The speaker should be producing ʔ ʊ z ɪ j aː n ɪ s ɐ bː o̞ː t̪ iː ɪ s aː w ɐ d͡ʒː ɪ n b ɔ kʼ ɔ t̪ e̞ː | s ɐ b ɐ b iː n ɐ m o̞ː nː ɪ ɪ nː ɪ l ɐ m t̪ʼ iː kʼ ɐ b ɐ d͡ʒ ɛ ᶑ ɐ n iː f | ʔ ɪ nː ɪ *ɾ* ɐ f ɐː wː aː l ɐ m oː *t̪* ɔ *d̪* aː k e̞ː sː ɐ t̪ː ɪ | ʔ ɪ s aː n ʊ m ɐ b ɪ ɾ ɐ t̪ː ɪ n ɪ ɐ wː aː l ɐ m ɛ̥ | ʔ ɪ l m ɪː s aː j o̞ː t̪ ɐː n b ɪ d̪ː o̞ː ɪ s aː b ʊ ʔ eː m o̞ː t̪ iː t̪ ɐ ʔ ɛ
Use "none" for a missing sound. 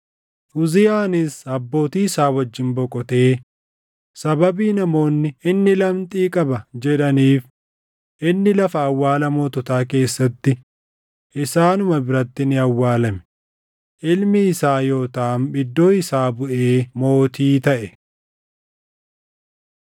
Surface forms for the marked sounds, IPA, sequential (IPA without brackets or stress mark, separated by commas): l, t̪, t̪